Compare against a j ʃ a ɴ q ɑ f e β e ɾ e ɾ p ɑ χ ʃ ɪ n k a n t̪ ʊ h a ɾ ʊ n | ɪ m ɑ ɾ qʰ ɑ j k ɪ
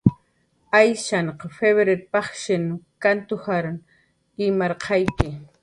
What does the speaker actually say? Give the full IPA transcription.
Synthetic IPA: a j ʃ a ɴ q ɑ f e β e ɾ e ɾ p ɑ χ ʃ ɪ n k a n t̪ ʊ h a ɾ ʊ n | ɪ m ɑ ɾ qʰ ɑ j k ɪ